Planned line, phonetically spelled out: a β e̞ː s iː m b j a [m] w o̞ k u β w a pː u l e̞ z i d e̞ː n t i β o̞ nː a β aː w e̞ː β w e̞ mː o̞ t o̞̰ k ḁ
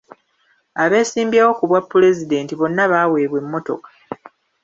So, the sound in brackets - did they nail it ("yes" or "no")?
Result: no